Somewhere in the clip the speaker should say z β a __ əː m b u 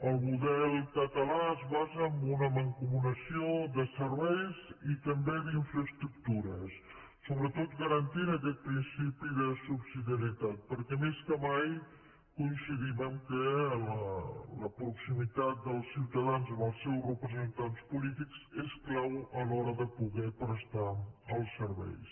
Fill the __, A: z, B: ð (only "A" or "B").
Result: A